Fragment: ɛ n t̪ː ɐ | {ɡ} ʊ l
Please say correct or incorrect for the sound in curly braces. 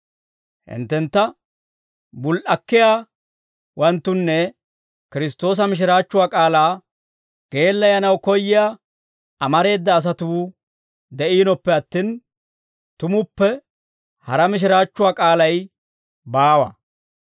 incorrect